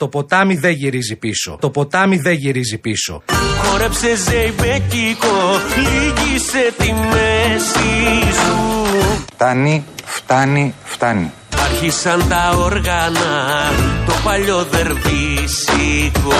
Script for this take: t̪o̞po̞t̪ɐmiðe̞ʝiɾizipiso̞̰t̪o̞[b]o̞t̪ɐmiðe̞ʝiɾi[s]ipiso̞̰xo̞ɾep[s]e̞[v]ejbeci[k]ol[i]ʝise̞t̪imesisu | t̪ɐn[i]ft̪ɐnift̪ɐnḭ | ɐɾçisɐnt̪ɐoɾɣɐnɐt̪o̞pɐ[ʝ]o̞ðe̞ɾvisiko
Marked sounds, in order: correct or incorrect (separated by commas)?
incorrect, incorrect, correct, incorrect, correct, correct, correct, incorrect